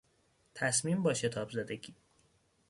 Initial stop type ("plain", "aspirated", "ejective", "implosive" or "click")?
aspirated